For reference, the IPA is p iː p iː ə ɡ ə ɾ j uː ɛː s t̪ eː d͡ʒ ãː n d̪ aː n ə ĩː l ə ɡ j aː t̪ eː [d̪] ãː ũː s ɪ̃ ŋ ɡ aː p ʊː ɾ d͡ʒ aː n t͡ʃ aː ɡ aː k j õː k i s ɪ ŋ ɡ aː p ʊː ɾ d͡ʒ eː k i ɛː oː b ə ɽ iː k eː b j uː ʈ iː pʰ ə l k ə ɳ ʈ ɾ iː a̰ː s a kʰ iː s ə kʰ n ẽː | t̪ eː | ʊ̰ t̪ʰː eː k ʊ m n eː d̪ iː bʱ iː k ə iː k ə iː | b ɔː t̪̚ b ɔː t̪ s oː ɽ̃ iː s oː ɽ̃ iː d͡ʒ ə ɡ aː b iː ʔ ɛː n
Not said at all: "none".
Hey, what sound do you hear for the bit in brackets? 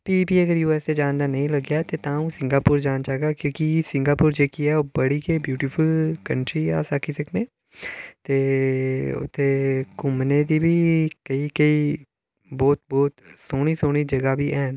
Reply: t̪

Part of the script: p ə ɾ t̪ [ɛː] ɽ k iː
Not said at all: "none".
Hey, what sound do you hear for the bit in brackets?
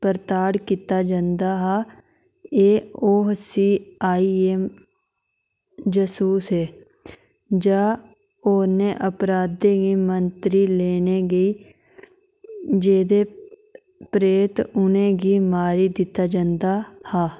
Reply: aː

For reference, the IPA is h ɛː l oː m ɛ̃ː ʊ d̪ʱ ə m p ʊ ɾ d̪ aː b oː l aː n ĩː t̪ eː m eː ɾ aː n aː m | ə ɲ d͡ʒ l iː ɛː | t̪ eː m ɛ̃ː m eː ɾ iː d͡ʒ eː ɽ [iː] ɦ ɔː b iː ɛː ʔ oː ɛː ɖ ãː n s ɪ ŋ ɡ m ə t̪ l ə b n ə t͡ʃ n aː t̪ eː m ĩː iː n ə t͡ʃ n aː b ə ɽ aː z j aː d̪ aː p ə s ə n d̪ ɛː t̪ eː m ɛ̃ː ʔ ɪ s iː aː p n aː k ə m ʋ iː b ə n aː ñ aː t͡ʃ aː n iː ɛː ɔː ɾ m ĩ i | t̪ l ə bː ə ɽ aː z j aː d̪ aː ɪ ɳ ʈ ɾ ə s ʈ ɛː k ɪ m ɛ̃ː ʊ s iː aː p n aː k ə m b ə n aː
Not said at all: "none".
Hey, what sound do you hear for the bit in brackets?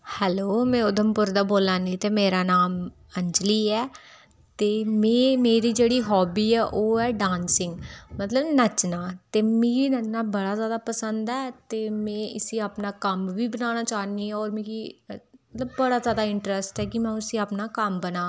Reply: iː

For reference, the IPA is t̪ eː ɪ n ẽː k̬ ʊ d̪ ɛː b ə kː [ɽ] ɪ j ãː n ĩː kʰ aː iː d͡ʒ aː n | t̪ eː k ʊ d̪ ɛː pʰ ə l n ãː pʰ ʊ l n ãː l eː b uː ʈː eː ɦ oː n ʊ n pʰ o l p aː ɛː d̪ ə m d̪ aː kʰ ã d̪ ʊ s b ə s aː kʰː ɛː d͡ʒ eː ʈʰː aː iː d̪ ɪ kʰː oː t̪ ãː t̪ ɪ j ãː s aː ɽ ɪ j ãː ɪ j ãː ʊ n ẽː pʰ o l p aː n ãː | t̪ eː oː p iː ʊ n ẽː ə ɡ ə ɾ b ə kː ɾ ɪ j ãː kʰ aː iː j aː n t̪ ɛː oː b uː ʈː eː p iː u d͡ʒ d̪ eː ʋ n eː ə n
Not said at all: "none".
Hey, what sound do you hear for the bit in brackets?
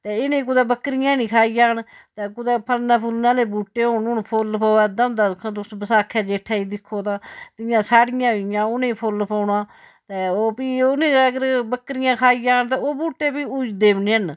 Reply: ɾ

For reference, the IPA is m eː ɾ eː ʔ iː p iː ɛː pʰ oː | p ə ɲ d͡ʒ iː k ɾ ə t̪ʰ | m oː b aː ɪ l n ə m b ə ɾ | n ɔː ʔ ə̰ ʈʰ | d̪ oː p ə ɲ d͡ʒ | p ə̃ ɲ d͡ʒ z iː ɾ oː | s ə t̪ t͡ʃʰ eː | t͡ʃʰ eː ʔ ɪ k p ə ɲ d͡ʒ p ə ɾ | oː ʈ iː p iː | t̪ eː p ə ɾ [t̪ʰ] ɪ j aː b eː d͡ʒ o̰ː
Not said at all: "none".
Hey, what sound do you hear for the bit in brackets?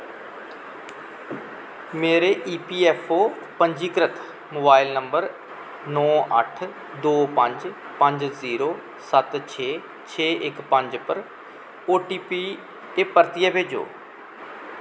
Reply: t̪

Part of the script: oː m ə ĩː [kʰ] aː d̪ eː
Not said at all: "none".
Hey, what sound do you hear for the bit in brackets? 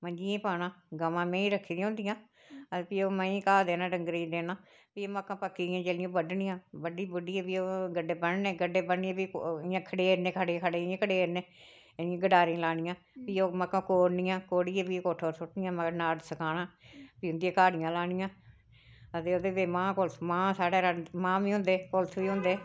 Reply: k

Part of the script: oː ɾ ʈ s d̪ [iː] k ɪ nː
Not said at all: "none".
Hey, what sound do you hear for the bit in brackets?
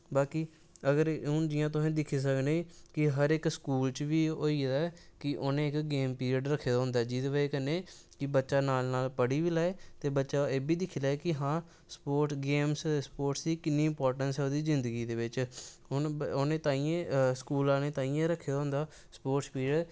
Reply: iː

